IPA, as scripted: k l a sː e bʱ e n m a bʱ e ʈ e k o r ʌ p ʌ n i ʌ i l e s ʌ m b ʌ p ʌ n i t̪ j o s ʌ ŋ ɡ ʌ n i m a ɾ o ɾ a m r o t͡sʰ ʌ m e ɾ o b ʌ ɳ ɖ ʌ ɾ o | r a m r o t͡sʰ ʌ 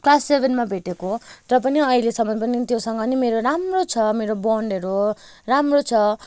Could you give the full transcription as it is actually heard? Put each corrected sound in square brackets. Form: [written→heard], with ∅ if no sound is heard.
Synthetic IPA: k l a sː e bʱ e n m a bʱ e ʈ e k o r ʌ p ʌ n i ʌ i l e s ʌ m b ʌ p ʌ n i t̪ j o s ʌ ŋ ɡ ʌ n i m [a→e] ɾ o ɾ a m r o t͡sʰ ʌ m e ɾ o b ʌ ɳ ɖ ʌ ɾ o | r a m r o t͡sʰ ʌ

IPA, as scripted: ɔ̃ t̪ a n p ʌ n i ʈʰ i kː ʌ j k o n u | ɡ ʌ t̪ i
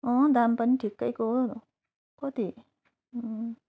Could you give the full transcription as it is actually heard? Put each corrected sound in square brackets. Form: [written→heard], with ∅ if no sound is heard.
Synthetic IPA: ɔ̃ [t̪→d̪] a [n→m] p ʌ n i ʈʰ i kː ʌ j k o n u | [ɡ→k] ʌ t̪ i

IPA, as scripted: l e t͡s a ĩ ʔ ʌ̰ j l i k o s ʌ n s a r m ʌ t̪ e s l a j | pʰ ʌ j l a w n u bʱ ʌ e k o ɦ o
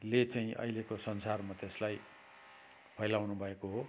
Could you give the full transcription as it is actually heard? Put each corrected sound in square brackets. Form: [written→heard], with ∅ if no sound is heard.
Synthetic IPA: l e t͡s a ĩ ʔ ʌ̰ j l [i→e] k o s ʌ n s a r m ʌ t̪ e s l a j | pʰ ʌ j l a w n u bʱ ʌ e k o ɦ o

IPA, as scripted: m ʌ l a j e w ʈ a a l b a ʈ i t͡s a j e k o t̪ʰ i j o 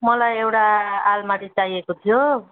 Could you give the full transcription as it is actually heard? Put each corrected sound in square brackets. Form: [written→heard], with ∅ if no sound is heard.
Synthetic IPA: m ʌ l a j e w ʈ a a l [b→m] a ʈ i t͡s a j e k o t̪ʰ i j o

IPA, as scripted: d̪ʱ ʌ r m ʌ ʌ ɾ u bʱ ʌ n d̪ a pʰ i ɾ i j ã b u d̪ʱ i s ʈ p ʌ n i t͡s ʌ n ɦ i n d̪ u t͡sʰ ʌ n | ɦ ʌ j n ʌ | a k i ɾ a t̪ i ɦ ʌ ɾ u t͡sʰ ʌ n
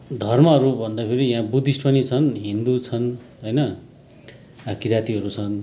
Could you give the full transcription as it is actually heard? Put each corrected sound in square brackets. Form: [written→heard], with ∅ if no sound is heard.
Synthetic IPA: d̪ʱ ʌ r m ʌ ʌ ɾ u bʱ ʌ n d̪ a pʰ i ɾ i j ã b u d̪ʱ i s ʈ p ʌ n i [t͡s→t͡sʰ] ʌ n ɦ i n d̪ u t͡sʰ ʌ n | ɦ ʌ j n ʌ | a k i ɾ a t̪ i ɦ ʌ ɾ u t͡sʰ ʌ n

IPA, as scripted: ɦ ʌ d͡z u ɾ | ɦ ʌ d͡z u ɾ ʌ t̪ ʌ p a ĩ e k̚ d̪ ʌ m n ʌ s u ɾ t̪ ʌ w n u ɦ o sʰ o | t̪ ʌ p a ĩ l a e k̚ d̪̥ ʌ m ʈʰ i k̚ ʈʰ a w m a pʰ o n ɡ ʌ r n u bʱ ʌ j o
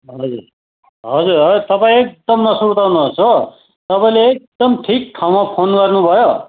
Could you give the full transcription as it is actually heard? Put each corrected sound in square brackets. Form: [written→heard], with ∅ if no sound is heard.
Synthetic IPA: ɦ ʌ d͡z u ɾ | ɦ ʌ d͡z u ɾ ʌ t̪ ʌ p a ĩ e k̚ d̪ ʌ m n ʌ s u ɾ t̪ [ʌ→a] w n u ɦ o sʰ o | t̪ ʌ p a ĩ l [a→e] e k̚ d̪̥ ʌ m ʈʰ i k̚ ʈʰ a w m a pʰ o n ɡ ʌ r n u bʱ ʌ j o

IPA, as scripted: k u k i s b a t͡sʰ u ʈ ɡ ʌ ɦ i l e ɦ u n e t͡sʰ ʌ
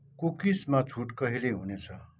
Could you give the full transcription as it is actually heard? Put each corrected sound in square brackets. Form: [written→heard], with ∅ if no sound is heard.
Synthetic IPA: k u k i s [b→m] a t͡sʰ u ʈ [ɡ→k] ʌ ɦ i l e ɦ u n e t͡sʰ ʌ

